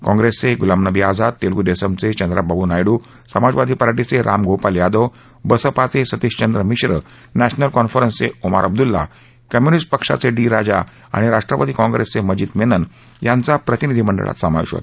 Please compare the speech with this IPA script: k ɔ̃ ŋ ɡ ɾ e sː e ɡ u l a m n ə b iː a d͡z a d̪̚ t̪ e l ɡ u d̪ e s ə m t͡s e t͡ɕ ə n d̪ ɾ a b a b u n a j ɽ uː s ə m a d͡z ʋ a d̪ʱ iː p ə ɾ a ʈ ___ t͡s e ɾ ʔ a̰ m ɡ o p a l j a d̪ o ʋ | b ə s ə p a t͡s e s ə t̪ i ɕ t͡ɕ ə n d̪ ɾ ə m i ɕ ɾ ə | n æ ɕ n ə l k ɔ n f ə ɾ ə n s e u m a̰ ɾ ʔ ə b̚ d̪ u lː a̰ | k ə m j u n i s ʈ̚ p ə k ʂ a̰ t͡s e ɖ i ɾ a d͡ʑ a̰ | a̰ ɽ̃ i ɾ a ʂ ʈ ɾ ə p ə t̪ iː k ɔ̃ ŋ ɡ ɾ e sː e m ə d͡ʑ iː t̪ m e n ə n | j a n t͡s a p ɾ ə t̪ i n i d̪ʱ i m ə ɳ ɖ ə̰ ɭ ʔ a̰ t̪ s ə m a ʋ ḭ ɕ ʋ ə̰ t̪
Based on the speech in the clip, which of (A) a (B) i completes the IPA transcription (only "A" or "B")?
B